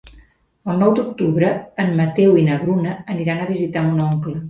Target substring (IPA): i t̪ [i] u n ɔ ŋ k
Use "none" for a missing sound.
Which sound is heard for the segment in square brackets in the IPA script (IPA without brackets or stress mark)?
a